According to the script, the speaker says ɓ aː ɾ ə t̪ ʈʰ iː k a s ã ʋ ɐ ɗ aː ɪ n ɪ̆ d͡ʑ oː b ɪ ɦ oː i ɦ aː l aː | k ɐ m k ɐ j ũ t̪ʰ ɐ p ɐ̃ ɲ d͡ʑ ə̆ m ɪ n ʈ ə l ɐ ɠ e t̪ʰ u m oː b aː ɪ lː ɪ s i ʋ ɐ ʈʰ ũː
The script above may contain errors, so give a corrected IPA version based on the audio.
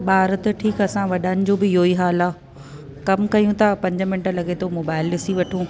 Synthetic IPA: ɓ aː ɾ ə t̪ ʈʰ iː k ɐ s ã ʋ ɐ ɗ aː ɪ n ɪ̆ d͡ʑ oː b ɪ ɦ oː i ɦ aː l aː | k ɐ m k ɐ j ũ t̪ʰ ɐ p ɐ̃ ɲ d͡ʑ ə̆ m ɪ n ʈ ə l ɐ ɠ e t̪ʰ o m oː b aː ɪ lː ɪ s i ʋ ɐ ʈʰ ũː